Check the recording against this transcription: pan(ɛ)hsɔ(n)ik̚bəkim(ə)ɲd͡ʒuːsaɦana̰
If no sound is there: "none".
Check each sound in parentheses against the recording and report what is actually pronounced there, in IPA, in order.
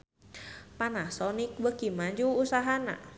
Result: a, n, a

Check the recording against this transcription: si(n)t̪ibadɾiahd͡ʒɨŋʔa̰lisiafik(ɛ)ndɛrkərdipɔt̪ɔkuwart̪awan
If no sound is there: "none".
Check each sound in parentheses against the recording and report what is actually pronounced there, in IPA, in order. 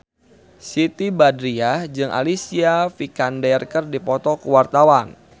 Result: none, a

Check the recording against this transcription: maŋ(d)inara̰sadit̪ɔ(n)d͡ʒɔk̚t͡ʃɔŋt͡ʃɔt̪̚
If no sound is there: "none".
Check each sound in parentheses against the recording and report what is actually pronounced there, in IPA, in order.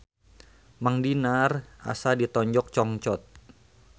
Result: d, ɲ

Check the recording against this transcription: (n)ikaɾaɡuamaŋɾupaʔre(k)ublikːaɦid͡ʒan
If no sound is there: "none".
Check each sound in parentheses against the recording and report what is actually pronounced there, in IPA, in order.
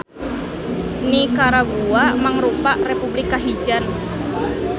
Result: n, p

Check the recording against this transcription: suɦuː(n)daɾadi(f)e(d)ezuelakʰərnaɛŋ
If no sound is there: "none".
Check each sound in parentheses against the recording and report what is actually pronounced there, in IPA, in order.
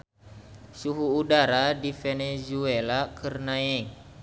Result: none, f, n

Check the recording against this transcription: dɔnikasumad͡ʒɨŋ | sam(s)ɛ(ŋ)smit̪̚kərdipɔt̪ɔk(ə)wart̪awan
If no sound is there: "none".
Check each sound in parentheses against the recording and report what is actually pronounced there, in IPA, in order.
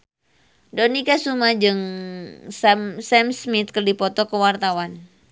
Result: s, m, ə

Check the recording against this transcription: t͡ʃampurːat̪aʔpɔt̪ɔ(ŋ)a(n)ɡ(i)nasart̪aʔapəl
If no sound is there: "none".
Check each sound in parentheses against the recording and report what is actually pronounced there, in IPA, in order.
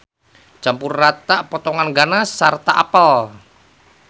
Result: ŋ, n, a

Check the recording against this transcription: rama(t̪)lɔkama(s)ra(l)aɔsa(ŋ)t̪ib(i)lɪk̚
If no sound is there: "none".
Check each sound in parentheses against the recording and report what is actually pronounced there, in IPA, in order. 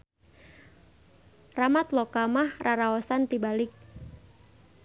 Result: t̪, h, ɾ, n, a

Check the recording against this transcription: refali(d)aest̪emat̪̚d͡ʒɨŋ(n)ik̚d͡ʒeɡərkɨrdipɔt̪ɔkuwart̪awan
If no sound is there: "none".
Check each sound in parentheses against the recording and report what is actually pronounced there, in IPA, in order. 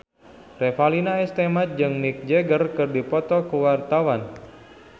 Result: n, n

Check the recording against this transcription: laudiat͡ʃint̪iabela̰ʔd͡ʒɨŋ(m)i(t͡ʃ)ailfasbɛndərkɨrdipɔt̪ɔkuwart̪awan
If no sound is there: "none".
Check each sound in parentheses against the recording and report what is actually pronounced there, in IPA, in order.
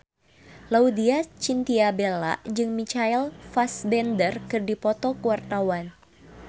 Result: m, t͡ʃ

